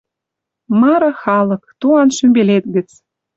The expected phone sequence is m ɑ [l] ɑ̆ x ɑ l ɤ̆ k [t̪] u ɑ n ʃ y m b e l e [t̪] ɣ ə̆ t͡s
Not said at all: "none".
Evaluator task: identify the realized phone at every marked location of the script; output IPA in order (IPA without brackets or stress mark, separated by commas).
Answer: ɾ, t̪, t̪